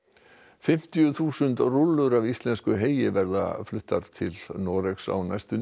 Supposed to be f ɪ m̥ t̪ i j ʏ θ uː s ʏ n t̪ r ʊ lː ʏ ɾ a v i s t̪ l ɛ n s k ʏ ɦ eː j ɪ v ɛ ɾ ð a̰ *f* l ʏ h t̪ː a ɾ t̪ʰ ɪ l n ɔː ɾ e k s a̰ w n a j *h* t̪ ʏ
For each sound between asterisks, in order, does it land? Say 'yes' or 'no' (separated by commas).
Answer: yes, no